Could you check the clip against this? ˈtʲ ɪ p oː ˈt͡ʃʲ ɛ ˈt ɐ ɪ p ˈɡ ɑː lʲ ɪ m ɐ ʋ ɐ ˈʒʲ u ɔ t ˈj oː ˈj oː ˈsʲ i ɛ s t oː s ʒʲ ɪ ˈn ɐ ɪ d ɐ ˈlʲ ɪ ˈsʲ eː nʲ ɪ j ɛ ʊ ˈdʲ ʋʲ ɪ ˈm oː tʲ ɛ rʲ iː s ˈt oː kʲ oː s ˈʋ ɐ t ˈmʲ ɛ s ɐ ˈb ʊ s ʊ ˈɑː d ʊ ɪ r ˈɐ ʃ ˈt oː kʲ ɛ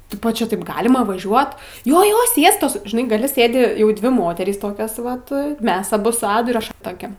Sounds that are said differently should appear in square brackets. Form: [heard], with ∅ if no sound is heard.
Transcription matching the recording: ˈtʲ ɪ p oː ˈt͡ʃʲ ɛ ˈt ɐ ɪ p ˈɡ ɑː lʲ ɪ m ɐ ʋ ɐ ˈʒʲ u ɔ t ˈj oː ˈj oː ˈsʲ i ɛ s t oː s ʒʲ ɪ ˈn ɐ ɪ [ɡ] ɐ ˈlʲ ɪ ˈsʲ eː [dʲ] ɪ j ɛ ʊ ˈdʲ ʋʲ ɪ ˈm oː tʲ ɛ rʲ iː s ˈt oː kʲ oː s ˈʋ ɐ t ˈmʲ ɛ s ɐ ˈb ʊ s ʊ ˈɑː d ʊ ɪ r ˈɐ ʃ ˈt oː kʲ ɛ

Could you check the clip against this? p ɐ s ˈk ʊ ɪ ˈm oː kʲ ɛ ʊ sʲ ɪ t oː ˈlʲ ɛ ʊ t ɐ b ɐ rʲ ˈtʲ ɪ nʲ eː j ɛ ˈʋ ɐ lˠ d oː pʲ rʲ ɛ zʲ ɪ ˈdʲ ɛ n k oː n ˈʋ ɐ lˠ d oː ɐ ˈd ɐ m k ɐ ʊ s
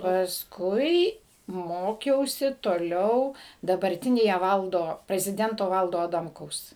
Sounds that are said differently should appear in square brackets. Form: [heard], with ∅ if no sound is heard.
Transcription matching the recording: p ɐ s ˈk ʊ ɪ ˈm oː kʲ ɛ ʊ sʲ ɪ t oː ˈlʲ ɛ ʊ [d] ɐ b ɐ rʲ ˈtʲ ɪ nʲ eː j ɛ ˈʋ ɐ lˠ d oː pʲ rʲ ɛ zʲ ɪ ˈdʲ ɛ n [t] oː [∅] ˈʋ ɐ lˠ d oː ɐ ˈd ɐ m k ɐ ʊ s

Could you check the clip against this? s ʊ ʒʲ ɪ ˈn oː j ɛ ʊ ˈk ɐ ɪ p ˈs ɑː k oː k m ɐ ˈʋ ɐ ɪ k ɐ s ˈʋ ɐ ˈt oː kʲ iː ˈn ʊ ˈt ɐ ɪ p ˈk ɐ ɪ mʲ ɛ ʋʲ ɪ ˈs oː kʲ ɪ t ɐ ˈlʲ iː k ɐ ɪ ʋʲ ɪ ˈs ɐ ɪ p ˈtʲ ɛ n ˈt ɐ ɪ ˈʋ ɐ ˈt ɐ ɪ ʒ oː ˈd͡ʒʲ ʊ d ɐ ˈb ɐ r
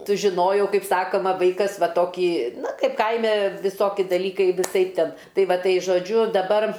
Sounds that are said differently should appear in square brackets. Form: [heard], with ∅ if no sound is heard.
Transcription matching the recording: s ʊ ʒʲ ɪ ˈn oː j ɛ ʊ ˈk ɐ ɪ p ˈs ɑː k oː [∅] m ɐ ˈʋ ɐ ɪ k ɐ s ˈʋ ɐ ˈt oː kʲ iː ˈn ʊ [ˈk] ɐ ɪ p ˈk ɐ ɪ mʲ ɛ ʋʲ ɪ ˈs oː kʲ ɪ [d] ɐ ˈlʲ iː k ɐ ɪ ʋʲ ɪ ˈs ɐ ɪ p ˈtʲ ɛ n ˈt ɐ ɪ ˈʋ ɐ ˈt ɐ ɪ ʒ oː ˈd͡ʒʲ ʊ d ɐ ˈb ɐ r

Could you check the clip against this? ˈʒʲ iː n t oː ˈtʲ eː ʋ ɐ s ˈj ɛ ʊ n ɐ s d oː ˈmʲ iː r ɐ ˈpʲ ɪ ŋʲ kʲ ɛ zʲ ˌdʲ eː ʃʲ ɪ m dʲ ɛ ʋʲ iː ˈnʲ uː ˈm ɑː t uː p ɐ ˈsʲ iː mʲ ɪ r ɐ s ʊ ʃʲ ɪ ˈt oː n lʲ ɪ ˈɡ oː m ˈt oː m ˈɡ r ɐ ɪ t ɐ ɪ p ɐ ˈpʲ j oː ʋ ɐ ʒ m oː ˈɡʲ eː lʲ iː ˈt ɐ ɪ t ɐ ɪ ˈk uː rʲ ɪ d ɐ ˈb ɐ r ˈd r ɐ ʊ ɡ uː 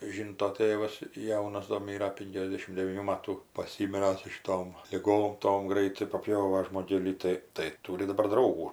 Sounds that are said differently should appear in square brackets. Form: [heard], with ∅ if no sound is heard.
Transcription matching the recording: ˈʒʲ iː n t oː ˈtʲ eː ʋ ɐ s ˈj ɛ ʊ n ɐ s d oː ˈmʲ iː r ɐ ˈpʲ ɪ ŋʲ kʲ ɛ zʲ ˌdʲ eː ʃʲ ɪ m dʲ ɛ ʋʲ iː ˈnʲ uː ˈm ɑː t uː p ɐ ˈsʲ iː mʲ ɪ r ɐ s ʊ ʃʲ ɪ ˈt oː [m] lʲ ɪ ˈɡ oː m ˈt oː m ˈɡ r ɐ ɪ t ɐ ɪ p ɐ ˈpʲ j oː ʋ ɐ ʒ m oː ˈɡʲ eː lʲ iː ˈt ɐ ɪ t ɐ ɪ [ˈt] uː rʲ ɪ d ɐ ˈb ɐ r ˈd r ɐ ʊ ɡ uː

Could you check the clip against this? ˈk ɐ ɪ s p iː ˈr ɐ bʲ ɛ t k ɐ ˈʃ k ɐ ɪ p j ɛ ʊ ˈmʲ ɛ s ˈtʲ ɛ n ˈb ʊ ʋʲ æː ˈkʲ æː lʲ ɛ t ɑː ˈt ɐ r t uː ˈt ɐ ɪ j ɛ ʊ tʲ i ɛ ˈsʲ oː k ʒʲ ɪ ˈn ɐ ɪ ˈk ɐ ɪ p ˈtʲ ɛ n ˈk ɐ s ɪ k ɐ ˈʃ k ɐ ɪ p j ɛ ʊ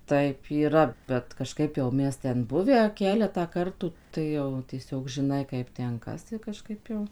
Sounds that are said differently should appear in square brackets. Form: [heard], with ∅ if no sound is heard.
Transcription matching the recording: [ˈt] ɐ ɪ [∅] p iː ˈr ɐ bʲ ɛ t k ɐ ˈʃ k ɐ ɪ p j ɛ ʊ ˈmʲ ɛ s ˈtʲ ɛ n ˈb ʊ ʋʲ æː ˈkʲ æː lʲ ɛ t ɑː [ˈk] ɐ r t uː ˈt ɐ ɪ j ɛ ʊ tʲ i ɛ ˈsʲ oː k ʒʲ ɪ ˈn ɐ ɪ ˈk ɐ ɪ p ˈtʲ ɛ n ˈk ɐ s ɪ k ɐ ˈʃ k ɐ ɪ p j ɛ ʊ

